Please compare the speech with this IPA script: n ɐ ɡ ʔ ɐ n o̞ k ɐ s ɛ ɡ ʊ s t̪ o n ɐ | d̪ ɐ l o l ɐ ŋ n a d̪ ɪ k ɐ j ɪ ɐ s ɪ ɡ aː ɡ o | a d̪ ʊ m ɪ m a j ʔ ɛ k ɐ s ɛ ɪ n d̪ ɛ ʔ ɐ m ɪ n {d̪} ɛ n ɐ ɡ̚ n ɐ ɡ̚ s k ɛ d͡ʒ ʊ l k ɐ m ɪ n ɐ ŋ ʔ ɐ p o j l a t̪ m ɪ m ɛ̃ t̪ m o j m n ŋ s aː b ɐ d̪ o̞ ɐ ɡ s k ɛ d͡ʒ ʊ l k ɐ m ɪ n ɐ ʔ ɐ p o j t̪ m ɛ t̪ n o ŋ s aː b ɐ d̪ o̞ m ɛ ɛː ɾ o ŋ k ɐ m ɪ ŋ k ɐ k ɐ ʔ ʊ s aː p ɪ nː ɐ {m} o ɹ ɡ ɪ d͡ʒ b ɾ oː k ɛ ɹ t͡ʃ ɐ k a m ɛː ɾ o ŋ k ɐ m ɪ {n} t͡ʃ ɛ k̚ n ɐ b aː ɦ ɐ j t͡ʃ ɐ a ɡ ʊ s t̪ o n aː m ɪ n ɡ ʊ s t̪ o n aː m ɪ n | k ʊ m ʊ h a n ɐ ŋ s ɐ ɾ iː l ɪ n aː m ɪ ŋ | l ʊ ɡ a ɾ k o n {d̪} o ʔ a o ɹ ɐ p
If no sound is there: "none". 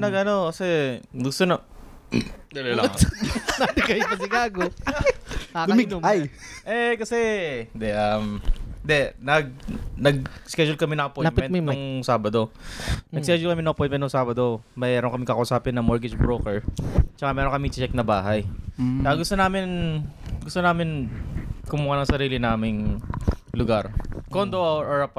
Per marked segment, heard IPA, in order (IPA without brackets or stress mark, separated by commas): d̪, m, ŋ, d̪